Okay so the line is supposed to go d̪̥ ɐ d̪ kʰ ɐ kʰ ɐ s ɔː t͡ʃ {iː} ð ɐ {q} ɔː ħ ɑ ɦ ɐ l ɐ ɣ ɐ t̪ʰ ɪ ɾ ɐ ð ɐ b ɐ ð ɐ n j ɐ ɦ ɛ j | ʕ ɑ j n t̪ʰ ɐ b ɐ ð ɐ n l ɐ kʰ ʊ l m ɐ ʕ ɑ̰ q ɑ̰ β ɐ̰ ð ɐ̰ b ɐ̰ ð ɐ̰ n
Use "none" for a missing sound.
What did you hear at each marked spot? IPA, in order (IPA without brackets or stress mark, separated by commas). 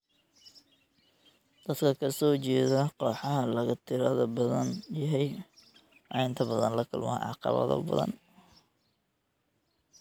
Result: ɛː, q